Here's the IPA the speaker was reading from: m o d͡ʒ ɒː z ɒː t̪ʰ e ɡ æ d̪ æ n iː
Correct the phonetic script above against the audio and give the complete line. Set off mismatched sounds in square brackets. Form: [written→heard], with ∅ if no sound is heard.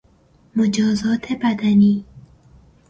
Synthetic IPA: m o d͡ʒ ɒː z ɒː t̪ʰ e [ɡ→b] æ d̪ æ n iː